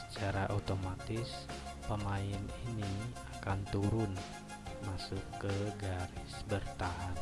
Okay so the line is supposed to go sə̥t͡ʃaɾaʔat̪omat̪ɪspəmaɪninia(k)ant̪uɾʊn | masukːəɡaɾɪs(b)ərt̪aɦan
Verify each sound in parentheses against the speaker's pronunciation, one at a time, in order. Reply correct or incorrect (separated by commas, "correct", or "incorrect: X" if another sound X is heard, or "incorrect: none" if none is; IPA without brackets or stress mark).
correct, correct